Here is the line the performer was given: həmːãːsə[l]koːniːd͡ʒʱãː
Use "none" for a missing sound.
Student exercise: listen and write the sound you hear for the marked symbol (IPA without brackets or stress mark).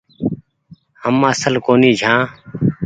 l